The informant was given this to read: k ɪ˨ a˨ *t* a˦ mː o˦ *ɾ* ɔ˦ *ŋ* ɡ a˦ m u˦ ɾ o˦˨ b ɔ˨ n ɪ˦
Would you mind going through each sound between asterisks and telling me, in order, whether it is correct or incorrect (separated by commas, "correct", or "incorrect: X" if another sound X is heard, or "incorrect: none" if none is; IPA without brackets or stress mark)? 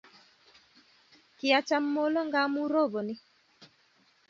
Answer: incorrect: t͡ʃ, incorrect: l, correct